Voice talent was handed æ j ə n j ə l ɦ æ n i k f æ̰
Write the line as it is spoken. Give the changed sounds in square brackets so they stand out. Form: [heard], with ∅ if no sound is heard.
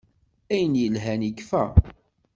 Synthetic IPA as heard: æ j ə n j ə l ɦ æ n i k f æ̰